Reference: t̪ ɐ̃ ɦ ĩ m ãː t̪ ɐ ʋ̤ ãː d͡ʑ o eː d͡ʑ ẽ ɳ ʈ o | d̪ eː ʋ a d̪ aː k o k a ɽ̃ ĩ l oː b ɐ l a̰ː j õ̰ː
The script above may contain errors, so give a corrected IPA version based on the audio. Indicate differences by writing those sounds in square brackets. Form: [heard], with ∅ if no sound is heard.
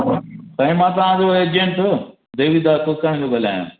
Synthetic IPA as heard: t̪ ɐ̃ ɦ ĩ m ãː t̪ ɐ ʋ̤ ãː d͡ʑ o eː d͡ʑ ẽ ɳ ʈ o | d̪ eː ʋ [i] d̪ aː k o k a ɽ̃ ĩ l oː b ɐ l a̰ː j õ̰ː